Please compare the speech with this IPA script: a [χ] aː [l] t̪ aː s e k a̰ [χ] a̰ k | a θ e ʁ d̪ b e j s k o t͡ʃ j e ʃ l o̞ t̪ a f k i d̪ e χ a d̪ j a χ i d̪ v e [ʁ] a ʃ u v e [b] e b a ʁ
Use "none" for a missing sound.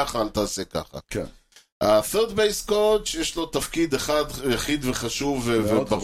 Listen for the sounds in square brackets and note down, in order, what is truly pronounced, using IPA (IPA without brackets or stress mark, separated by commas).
χ, l, χ, χ, v